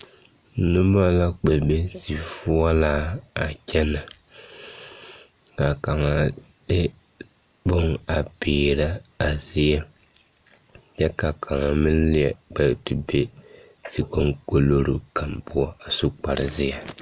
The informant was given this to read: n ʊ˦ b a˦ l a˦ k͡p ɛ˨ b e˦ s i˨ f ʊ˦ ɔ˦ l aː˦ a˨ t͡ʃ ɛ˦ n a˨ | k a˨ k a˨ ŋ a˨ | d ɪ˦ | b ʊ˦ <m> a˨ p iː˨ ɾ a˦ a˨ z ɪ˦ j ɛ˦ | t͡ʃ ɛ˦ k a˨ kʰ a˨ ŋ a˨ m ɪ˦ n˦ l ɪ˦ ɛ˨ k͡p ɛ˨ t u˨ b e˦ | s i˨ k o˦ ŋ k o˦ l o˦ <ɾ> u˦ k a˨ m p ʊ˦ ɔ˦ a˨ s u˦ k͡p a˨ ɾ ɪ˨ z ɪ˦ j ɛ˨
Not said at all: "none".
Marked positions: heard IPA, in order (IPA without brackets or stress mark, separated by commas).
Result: ŋ, ɾ